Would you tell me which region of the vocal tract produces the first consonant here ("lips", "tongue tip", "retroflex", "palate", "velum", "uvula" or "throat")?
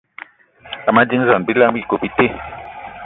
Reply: lips